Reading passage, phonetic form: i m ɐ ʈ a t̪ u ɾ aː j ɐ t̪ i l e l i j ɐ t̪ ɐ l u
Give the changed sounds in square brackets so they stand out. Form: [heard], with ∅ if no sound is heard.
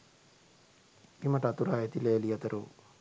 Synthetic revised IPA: i m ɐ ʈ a t̪ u ɾ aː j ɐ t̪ i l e l i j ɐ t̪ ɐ [ɾ] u